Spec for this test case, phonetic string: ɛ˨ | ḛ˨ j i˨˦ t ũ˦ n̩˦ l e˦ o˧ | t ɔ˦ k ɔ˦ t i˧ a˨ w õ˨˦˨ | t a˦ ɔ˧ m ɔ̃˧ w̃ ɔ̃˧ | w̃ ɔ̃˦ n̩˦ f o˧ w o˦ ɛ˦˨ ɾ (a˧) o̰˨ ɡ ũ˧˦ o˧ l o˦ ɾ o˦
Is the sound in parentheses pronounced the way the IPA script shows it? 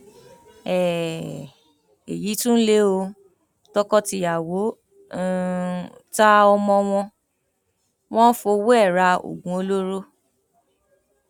yes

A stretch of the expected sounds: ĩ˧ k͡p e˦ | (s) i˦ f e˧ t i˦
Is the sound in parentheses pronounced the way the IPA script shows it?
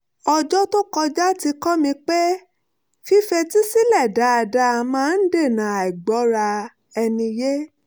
no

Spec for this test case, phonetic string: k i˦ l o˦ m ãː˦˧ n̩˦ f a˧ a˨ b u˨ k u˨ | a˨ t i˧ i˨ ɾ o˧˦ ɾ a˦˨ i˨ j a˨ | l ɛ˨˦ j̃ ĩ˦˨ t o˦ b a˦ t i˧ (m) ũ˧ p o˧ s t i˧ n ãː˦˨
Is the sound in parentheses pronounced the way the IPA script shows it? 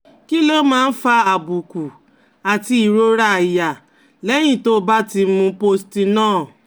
yes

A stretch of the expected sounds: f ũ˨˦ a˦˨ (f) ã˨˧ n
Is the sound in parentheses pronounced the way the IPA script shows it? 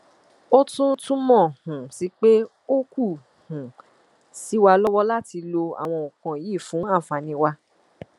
yes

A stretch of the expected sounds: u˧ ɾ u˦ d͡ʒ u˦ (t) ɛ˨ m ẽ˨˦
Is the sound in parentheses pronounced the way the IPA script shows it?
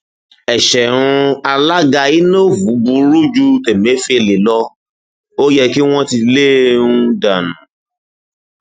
yes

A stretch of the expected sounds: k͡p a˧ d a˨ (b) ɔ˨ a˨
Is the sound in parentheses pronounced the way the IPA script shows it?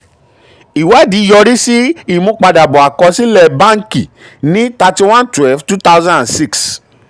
yes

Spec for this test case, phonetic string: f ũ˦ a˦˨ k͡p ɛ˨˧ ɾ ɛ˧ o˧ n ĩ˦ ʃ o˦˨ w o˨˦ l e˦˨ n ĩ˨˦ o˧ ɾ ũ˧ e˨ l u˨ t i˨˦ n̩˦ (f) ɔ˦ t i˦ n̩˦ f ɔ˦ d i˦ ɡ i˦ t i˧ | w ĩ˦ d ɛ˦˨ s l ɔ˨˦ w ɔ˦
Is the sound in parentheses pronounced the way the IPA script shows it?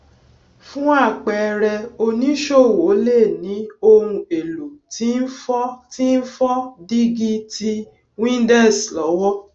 yes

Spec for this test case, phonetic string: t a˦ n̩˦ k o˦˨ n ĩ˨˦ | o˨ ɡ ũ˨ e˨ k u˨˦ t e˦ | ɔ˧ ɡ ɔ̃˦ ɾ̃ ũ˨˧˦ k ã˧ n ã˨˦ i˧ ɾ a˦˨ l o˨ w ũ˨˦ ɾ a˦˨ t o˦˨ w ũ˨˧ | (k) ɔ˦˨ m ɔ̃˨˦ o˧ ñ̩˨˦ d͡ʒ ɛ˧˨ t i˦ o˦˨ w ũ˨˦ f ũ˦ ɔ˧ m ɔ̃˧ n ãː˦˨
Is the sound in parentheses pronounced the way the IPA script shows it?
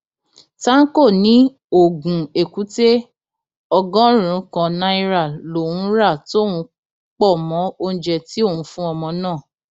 no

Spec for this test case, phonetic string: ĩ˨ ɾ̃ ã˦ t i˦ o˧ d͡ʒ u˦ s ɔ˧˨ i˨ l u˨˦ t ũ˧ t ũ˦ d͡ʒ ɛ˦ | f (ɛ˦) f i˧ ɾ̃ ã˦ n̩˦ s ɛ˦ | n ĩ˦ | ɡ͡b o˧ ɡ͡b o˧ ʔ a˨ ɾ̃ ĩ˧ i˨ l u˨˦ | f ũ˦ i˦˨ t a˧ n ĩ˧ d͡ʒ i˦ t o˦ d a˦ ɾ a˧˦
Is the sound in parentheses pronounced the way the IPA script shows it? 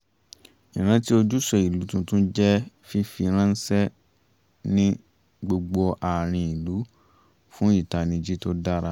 no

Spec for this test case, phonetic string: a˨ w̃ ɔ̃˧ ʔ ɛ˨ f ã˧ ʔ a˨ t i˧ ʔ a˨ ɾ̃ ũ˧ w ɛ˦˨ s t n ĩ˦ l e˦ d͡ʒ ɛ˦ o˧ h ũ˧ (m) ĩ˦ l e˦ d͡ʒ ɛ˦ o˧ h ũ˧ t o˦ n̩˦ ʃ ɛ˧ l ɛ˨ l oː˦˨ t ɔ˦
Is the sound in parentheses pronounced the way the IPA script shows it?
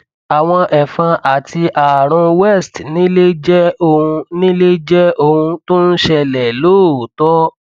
no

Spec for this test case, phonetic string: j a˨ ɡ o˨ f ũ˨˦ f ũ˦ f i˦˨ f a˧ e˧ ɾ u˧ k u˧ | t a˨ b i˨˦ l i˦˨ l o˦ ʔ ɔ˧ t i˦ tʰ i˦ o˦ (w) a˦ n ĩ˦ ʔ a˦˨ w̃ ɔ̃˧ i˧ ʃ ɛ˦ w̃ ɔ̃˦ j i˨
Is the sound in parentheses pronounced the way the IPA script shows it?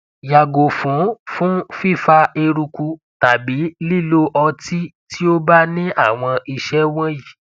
no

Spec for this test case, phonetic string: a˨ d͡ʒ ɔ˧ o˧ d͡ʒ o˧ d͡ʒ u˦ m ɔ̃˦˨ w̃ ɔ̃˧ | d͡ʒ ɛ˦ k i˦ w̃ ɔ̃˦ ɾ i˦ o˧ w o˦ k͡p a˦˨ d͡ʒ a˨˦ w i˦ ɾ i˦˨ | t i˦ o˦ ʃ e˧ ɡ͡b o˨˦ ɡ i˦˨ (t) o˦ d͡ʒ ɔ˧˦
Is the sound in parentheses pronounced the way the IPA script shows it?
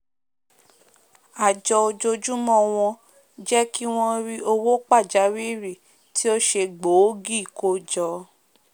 no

